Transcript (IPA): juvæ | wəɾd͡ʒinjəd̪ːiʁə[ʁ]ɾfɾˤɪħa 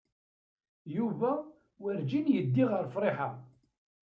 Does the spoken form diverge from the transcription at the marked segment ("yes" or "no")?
yes